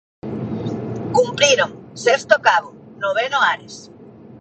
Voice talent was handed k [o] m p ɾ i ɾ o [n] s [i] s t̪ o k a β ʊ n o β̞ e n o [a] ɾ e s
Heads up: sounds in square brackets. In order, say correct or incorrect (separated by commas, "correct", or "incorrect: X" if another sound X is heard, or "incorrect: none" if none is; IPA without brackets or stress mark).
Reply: incorrect: u, incorrect: ŋ, incorrect: e, correct